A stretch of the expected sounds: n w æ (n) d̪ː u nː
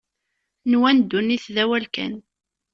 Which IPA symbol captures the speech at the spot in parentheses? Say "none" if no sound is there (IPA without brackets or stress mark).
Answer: n